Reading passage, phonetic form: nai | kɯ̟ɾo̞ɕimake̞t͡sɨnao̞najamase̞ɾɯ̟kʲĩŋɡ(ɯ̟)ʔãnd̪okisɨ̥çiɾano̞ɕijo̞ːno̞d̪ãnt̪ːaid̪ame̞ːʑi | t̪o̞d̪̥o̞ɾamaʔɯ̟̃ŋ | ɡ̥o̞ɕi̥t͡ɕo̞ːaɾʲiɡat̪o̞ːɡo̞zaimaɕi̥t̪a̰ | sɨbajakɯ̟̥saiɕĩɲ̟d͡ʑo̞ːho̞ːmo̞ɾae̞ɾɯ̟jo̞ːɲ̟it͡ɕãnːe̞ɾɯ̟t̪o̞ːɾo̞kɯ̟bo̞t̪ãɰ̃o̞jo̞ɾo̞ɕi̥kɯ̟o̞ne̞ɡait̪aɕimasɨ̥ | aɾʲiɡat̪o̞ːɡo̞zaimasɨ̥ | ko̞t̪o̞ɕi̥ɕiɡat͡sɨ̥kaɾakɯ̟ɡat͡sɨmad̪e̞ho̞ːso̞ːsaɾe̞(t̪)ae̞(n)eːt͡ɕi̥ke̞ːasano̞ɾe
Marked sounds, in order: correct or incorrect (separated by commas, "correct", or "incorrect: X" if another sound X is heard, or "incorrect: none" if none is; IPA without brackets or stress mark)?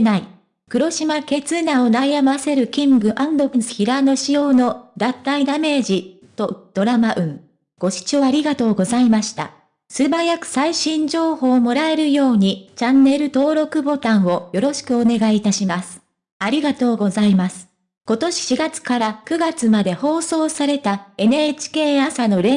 correct, correct, correct